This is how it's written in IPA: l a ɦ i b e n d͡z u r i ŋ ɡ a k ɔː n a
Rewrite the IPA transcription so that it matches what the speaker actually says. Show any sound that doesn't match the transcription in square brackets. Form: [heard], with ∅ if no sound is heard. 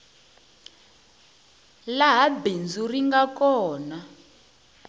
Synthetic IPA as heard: l a ɦ [a] b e n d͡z u r i ŋ ɡ a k ɔː n a